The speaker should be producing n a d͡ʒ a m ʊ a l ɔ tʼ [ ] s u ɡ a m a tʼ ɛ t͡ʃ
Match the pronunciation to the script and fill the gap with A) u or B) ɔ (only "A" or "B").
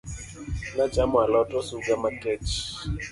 B